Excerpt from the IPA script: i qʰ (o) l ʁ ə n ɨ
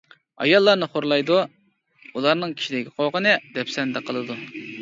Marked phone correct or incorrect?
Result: correct